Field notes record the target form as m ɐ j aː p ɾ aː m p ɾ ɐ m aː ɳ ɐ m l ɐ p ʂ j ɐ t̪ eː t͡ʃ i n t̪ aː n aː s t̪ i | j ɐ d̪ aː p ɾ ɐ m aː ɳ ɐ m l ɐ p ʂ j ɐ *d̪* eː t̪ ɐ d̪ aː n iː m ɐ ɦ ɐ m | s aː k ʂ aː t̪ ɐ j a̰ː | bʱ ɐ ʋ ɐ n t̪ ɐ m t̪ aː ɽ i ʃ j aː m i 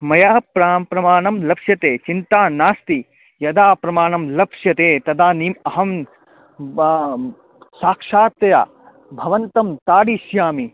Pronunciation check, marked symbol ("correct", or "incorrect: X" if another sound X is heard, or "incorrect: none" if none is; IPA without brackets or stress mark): incorrect: t̪